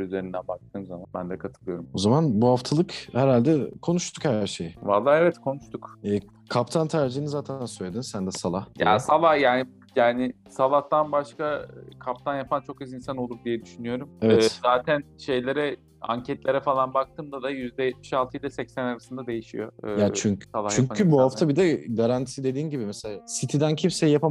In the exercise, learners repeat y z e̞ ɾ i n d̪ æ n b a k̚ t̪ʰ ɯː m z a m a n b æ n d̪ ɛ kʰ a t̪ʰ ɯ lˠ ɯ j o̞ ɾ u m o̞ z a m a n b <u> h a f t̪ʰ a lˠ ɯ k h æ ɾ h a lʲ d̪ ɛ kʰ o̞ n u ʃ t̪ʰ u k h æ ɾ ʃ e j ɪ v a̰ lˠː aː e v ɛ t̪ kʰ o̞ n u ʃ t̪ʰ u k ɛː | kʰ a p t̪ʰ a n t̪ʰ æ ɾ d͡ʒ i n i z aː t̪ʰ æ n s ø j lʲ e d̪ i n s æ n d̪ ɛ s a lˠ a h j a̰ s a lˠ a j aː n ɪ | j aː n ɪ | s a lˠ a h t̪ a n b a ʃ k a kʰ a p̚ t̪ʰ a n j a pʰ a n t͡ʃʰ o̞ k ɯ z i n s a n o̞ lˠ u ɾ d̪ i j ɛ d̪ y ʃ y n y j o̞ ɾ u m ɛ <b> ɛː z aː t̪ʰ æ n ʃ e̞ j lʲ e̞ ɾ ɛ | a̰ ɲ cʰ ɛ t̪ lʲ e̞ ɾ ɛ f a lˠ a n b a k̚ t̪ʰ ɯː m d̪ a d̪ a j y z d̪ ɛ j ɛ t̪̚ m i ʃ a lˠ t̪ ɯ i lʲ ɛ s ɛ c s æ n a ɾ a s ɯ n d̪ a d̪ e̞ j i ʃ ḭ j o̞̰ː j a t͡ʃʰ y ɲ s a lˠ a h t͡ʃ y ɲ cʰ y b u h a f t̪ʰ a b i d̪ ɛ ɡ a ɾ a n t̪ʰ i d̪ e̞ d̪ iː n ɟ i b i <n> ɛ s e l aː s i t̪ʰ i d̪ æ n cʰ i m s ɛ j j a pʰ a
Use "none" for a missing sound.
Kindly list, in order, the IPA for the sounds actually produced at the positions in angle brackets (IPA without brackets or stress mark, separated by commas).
u, v, m